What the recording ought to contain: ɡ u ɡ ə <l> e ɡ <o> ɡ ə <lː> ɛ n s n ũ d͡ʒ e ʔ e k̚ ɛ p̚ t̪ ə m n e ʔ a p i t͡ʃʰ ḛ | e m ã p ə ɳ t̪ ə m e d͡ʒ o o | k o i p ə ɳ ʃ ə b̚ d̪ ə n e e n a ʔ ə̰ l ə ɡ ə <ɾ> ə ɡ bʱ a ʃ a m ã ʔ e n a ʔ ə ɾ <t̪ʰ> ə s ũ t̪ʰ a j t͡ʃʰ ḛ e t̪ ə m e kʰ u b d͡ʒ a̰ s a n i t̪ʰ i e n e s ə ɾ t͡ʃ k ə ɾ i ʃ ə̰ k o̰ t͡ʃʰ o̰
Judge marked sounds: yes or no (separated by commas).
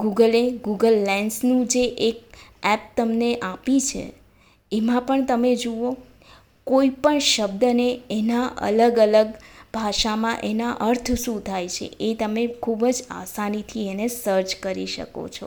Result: yes, no, yes, no, yes